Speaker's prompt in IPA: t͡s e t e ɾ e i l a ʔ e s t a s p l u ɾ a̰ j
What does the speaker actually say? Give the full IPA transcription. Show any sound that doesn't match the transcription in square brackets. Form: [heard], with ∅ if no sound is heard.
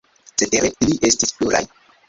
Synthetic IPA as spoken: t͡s e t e ɾ e i l [i] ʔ e s t [i] s p l u ɾ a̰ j